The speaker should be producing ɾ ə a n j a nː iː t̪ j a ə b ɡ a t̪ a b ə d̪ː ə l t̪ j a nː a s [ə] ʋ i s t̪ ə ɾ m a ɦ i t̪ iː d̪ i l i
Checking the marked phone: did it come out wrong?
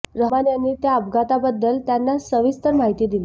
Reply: no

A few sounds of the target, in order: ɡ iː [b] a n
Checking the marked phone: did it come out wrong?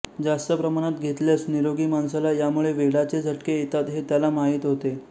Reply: yes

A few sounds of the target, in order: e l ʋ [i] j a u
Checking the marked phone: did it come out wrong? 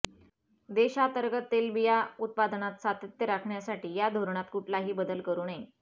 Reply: no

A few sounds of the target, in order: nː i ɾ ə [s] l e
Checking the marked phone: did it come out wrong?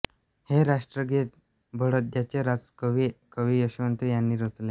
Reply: yes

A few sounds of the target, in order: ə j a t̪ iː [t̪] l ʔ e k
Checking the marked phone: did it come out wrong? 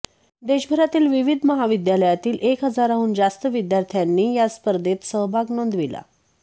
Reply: yes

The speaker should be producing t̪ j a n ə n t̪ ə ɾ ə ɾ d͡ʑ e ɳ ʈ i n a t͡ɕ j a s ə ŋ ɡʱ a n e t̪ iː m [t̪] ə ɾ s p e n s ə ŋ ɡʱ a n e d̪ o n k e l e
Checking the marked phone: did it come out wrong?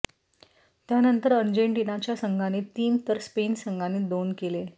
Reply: no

